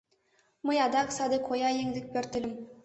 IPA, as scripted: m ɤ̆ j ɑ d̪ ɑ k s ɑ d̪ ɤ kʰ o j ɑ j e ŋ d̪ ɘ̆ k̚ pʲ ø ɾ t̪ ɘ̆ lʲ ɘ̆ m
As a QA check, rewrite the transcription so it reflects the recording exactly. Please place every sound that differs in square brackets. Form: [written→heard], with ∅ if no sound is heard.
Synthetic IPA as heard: m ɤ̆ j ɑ d̪ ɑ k s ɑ d̪ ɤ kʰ o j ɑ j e ŋ d̪ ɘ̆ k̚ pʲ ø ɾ t̪ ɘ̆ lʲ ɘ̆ m